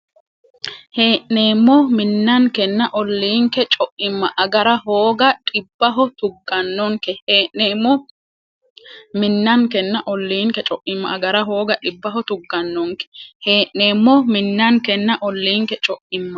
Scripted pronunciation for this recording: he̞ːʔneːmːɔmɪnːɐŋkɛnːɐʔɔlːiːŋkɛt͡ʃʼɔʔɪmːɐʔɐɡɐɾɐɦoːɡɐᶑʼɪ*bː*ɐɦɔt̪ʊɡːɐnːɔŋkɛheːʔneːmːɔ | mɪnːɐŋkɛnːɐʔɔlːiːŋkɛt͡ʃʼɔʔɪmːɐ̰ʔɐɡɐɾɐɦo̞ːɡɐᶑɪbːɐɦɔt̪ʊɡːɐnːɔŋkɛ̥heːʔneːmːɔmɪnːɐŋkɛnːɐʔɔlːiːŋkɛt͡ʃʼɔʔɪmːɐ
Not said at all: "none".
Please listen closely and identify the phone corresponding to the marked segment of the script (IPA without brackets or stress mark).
bː